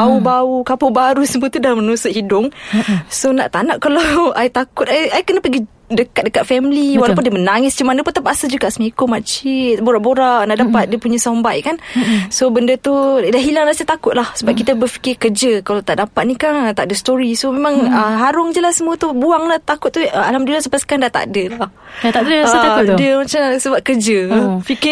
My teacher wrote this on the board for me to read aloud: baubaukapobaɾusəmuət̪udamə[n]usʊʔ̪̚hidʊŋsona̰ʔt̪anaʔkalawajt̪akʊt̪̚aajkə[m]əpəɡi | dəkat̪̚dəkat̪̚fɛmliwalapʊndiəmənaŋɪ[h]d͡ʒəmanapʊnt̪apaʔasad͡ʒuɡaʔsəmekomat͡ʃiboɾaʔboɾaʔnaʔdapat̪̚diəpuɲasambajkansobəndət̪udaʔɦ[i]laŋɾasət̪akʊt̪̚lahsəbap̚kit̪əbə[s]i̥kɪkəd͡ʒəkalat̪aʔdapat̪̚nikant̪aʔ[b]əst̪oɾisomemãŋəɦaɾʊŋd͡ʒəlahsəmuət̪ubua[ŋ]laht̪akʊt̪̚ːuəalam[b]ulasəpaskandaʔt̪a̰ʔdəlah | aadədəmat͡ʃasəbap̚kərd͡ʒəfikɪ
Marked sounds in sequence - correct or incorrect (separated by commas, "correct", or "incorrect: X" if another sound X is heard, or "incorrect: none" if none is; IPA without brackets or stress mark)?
correct, incorrect: n, incorrect: s, correct, incorrect: f, incorrect: d, correct, incorrect: d